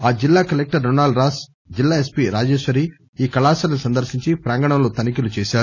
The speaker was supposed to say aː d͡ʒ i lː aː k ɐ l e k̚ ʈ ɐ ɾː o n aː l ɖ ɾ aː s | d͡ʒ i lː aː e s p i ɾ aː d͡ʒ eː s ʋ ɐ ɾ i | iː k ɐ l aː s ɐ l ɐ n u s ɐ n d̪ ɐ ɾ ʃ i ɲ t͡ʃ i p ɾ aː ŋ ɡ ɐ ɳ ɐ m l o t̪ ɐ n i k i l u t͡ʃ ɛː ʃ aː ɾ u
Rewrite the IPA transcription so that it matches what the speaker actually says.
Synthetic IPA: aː d͡ʒ i lː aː k ɐ l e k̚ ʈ ɐ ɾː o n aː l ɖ ɾ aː s | d͡ʒ i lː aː e s p i ɾ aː d͡ʒ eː ʃ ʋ ɐ ɾ i | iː k ɐ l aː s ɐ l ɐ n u s ɐ n d̪ ɐ ɾ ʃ i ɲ t͡ʃ i p ɾ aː ŋ ɡ ɐ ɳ ɐ m l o t̪ ɐ n i k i l u t͡ʃ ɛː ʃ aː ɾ u